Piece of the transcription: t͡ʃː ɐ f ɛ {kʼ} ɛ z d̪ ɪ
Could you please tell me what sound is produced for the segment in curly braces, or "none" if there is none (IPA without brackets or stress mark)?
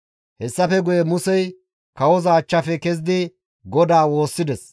k